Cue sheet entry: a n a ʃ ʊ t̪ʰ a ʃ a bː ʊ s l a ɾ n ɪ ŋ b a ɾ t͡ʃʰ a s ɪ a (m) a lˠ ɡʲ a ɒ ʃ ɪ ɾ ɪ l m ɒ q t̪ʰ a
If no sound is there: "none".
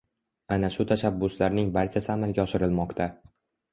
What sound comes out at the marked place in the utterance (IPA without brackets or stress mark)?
m